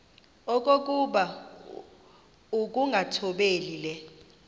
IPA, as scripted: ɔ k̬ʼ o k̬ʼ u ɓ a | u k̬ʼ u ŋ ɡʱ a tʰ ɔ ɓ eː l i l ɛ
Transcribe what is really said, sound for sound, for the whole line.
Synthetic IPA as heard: ɔ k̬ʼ o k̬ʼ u ɓ a | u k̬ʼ u ŋ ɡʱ a tʰ ɔ ɓ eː l i l ɛ